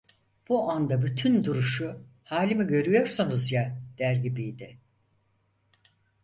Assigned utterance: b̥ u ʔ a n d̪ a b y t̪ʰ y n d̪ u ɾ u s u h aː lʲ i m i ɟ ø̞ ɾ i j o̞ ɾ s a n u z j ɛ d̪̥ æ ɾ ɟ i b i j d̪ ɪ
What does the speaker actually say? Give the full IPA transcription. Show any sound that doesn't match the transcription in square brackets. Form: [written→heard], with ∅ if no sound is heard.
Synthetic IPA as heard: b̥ u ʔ a n d̪ a b y t̪ʰ y n d̪ u ɾ u [s→ʃ] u h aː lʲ i m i ɟ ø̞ ɾ [i→y] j o̞ ɾ s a n u z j [ɛ→a] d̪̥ æ ɾ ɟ i b i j d̪ ɪ